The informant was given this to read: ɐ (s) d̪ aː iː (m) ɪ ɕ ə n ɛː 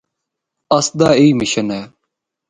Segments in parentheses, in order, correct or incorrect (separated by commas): correct, correct